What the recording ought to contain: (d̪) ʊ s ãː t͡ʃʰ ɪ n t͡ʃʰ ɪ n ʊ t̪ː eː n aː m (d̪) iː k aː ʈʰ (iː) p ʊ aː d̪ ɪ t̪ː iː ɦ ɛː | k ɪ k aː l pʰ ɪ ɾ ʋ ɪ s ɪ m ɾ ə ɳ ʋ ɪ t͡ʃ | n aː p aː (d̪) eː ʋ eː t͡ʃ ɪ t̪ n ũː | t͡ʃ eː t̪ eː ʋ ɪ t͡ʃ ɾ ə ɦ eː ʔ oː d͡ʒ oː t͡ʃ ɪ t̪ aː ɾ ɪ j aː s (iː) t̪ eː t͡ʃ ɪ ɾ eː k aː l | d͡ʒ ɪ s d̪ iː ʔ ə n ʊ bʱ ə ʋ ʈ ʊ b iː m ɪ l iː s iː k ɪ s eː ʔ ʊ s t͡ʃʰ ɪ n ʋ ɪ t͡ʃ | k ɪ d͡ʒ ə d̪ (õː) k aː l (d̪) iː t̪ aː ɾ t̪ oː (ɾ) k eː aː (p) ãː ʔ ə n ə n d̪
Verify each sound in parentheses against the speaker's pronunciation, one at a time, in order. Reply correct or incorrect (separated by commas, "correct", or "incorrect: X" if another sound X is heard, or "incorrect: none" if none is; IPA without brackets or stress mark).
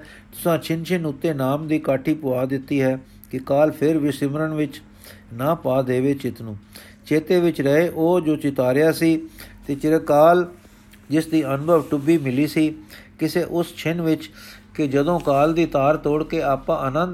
incorrect: t̪, correct, correct, correct, correct, correct, correct, incorrect: ɽ, correct